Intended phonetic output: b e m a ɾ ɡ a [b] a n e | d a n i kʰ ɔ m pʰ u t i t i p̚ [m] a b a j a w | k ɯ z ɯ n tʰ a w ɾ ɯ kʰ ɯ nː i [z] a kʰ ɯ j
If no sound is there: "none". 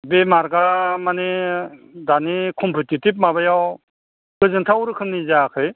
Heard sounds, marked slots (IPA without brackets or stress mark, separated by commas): m, m, z